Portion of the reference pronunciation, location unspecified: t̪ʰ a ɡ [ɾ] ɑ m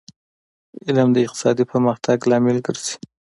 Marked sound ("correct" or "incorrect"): incorrect